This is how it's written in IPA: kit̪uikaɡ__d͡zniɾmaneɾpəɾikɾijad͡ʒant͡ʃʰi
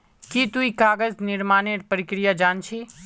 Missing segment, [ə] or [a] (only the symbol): ə